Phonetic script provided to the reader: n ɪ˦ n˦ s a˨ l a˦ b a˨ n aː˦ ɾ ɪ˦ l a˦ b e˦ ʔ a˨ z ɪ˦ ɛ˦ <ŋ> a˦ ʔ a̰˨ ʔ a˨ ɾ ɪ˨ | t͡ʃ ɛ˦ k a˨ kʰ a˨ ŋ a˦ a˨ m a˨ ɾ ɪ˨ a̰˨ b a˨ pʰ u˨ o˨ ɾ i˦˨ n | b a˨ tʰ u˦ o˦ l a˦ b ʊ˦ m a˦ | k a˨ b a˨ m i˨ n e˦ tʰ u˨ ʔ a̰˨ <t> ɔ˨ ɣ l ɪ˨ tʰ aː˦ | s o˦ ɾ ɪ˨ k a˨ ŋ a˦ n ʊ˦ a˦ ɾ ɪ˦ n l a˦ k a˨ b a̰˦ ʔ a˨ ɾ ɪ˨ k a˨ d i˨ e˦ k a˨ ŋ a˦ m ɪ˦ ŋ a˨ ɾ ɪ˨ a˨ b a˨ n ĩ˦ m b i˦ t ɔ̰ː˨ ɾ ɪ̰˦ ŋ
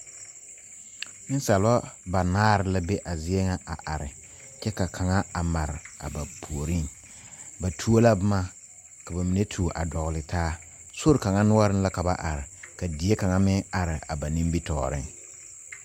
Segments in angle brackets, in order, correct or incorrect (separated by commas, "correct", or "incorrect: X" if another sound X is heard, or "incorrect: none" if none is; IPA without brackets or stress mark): correct, incorrect: d